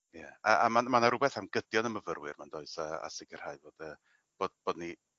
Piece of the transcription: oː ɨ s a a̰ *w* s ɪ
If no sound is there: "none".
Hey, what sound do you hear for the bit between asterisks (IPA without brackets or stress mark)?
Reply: none